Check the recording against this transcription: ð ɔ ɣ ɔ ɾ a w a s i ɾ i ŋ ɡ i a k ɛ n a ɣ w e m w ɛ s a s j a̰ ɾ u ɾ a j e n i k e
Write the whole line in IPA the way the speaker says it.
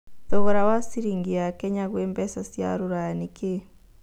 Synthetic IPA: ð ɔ ɣ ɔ ɾ a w a s i ɾ i ŋ ɡ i a k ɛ ɲ a ɣ w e m b ɛ s a s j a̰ ɾ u ɾ a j a n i k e

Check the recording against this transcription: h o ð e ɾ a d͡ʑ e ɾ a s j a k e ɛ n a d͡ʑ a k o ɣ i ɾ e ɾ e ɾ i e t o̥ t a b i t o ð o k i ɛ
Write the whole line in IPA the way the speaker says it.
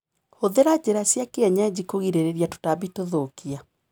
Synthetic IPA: h o ð e ɾ a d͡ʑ e ɾ a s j a k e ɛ ɲ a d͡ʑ i k o ɣ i ɾ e ɾ e ɾ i a t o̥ t a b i t o ð o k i a

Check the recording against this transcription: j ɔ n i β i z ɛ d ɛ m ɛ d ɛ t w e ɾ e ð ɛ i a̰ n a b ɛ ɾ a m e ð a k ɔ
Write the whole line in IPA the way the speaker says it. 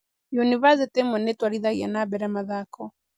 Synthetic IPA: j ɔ n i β a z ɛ t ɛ m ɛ n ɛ t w a ɾ i ð a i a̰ n a b ɛ ɾ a m a ð a k ɔ

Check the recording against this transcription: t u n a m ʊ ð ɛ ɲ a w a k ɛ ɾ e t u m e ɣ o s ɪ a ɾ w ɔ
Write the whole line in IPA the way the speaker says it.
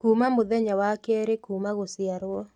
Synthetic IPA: k u m a m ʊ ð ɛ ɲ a w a k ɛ ɾ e k u m a ɣ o s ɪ a ɾ w ɔ

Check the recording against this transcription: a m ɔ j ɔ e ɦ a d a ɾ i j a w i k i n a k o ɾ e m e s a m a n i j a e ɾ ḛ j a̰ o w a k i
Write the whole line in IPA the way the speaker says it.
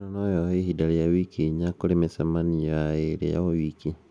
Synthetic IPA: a n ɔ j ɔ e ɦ i d a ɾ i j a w i k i ɲ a k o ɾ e m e s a m a n i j a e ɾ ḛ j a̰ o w i k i

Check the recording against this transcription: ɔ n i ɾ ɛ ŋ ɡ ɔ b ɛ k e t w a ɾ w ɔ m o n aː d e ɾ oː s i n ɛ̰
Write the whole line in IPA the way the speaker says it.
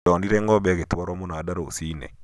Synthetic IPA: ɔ n i ɾ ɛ ŋ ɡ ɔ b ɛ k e t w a ɾ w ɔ m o n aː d a ɾ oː s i n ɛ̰

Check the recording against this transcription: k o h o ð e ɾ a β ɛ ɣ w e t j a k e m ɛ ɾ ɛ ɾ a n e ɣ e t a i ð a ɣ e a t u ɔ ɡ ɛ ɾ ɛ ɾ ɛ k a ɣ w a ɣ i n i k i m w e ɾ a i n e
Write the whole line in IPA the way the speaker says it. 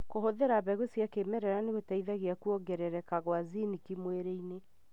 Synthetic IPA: k o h o ð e ɾ a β ɛ ɣ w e s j a k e m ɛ ɾ ɛ ɾ a n e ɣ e t a i ð a ɣ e a k u ɔ ɡ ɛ ɾ ɛ ɾ ɛ k a ɣ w a z i n i k i m w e ɾ e i n e

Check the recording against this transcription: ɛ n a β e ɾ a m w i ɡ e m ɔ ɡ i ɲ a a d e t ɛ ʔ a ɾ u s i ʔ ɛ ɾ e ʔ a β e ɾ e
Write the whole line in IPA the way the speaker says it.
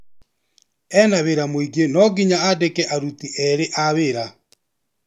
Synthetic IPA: ɛ n a β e ɾ a m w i ɡ e n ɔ ɡ i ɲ a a d e k ɛ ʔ a ɾ u t i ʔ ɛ ɾ e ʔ a β e ɾ a

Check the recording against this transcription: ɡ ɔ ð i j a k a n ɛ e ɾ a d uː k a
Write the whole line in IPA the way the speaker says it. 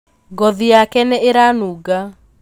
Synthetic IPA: ɡ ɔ ð i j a k ɛ n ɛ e ɾ a n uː ɡ a

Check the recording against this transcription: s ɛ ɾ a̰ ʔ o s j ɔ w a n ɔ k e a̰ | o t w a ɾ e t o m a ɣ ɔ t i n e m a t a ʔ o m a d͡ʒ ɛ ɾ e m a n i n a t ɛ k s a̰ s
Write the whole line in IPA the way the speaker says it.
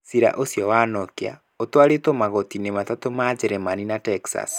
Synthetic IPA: s i ɾ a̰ ʔ o s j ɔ w a n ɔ k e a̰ | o t w a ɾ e t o m a ɣ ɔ t i n e m a t a t o m a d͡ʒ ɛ ɾ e m a n i n a t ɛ k s a̰ s

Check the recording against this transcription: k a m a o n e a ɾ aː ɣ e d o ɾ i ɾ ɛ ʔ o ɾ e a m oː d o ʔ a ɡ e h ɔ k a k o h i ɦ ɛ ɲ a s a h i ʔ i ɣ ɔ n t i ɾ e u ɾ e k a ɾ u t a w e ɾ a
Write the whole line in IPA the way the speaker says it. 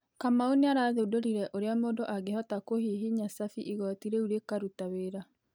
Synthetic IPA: k a m a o n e a ɾ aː ð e d o ɾ i ɾ ɛ ʔ o ɾ e a m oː d o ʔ a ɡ e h ɔ t a k o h i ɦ i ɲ a s a f i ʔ i ɣ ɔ t i ɾ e u ɾ e k a ɾ u t a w e ɾ a

